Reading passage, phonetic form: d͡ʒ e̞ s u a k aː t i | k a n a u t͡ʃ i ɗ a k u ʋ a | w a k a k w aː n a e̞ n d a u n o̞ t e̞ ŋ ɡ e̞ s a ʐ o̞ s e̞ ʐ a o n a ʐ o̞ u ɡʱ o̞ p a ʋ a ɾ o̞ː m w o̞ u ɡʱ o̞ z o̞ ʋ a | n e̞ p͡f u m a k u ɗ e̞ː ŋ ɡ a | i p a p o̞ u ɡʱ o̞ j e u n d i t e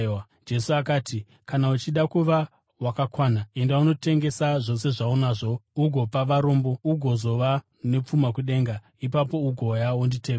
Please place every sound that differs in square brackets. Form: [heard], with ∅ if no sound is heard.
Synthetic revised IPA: d͡ʒ e̞ s u a k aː t i | k a n a u t͡ʃ i ɗ a k u ʋ a | w a k a k w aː n a e̞ n d a u n o̞ t e̞ ŋ ɡ e̞ s a ʐ o̞ s e̞ ʐ a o n a ʐ o̞ u ɡʱ o̞ p a ʋ a ɾ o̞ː m [b] o̞ u ɡʱ o̞ z o̞ ʋ a | n e̞ p͡f u m a k u ɗ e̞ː ŋ ɡ a | i p a p o̞ u ɡʱ o̞ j [a] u n d i t e